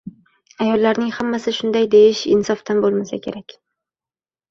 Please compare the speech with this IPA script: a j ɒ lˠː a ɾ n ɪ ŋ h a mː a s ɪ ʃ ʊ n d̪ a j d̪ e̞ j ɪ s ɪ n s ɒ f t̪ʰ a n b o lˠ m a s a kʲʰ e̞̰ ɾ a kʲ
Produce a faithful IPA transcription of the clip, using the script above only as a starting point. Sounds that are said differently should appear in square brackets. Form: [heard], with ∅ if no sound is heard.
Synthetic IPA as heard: a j ɒ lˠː a ɾ n ɪ ŋ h a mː a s ɪ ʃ ʊ n d̪ a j d̪ e̞ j ɪ [ʃ] ɪ n s ɒ f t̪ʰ a n b o lˠ m a s a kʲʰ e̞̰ ɾ a kʲ